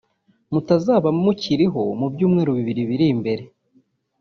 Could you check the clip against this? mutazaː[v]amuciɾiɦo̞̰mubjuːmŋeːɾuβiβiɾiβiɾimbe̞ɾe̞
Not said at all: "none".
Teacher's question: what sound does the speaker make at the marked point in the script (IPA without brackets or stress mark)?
β